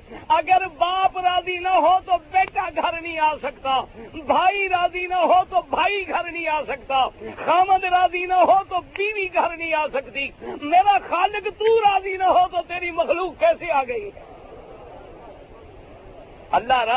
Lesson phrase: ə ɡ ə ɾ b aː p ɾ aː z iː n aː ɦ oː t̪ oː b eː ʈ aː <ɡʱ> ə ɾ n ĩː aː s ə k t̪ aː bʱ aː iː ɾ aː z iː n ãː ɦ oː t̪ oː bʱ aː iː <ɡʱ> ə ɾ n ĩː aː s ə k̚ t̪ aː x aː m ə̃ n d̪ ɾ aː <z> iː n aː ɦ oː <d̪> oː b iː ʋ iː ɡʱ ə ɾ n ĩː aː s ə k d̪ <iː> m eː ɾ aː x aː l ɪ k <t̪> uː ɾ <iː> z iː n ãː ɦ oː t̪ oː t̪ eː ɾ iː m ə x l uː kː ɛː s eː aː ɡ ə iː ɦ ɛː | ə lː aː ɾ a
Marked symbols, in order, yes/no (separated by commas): yes, yes, yes, no, yes, yes, no